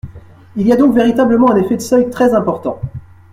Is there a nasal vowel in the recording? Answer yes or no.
yes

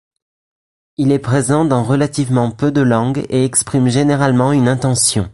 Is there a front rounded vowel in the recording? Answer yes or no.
yes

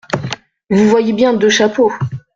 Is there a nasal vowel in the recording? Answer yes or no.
yes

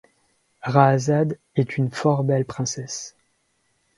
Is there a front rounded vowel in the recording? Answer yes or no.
yes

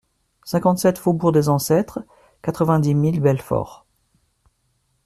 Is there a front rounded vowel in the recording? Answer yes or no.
no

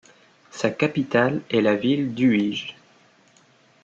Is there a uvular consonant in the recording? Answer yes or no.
no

